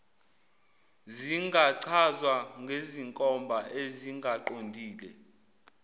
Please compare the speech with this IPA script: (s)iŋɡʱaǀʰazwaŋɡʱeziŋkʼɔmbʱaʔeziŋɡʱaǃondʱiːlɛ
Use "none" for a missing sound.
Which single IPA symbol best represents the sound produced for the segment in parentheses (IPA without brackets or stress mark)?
z